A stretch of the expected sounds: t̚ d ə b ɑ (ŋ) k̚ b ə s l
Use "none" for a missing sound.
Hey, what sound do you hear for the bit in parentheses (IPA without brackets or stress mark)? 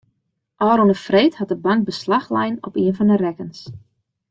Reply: ŋ